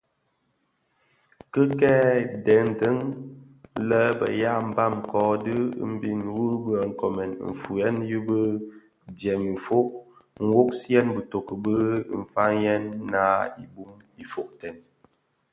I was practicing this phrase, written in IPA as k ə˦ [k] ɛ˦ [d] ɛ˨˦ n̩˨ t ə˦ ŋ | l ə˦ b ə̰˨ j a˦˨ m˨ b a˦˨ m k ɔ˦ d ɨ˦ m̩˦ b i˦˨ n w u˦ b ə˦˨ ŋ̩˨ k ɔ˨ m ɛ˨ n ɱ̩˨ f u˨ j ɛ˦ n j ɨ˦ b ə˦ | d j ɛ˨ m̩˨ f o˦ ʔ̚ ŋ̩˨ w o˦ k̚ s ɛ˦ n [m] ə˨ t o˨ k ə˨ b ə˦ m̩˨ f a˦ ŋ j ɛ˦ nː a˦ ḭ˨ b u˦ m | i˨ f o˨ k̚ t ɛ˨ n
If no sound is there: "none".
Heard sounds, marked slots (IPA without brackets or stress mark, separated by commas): k, d, b